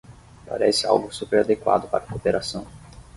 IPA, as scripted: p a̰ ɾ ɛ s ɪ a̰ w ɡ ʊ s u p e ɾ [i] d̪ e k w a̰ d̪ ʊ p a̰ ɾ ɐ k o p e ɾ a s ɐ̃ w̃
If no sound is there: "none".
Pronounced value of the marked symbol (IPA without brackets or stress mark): a